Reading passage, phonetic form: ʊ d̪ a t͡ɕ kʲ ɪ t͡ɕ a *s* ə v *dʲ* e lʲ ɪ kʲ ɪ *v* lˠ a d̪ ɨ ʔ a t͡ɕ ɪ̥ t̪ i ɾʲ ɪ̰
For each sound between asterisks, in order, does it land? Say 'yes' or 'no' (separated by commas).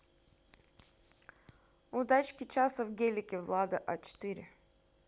yes, no, yes